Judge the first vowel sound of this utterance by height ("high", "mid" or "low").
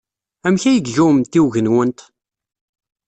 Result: low